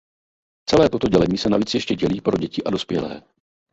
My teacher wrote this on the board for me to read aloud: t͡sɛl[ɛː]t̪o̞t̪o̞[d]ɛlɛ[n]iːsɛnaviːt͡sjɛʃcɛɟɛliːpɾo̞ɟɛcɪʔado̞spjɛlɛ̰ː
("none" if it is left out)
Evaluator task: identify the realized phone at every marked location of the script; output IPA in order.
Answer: ɛː, ɟ, ɲ

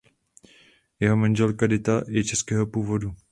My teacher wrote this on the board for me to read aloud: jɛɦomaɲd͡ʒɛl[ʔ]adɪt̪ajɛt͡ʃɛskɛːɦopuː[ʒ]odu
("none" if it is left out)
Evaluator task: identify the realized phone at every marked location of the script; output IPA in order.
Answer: k, v

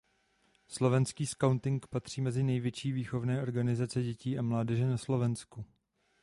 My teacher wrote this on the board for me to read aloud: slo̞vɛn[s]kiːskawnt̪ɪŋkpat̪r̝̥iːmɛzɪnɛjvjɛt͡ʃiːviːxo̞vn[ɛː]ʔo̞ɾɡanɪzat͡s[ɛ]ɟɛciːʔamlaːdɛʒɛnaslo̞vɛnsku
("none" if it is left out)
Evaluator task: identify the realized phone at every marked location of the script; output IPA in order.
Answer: s, ɛː, ɛ

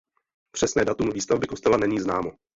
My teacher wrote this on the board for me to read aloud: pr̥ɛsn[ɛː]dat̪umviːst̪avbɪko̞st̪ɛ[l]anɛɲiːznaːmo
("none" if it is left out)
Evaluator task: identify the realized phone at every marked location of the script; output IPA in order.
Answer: ɛː, l

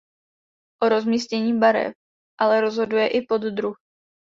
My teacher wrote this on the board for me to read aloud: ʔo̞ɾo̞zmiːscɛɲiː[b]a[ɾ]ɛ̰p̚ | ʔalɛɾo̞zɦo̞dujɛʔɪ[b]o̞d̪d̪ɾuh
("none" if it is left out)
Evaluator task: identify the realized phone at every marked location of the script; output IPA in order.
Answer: b, ɾ, p

